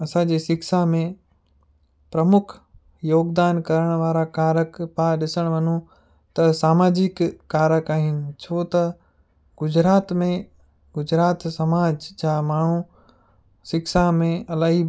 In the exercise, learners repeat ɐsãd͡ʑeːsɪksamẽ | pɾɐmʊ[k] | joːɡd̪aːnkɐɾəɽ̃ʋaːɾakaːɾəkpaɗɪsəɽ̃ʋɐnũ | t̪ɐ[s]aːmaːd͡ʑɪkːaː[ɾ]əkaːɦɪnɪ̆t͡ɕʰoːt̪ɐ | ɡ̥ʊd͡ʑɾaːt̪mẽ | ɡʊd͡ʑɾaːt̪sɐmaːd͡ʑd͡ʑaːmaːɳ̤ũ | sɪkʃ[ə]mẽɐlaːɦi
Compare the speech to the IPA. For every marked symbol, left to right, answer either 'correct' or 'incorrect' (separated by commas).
incorrect, correct, correct, incorrect